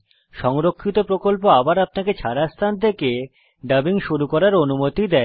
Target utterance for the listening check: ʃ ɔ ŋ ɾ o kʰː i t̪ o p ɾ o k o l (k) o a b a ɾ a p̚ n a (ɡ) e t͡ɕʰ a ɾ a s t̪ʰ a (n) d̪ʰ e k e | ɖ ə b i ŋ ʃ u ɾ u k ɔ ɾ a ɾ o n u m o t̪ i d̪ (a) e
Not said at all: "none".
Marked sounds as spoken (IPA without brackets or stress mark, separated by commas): p, k, n, ɛ